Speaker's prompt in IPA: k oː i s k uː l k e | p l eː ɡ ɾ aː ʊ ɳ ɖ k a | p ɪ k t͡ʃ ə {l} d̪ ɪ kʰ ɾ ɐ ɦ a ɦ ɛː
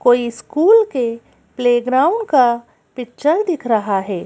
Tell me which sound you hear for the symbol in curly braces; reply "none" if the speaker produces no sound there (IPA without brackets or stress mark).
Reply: ɾ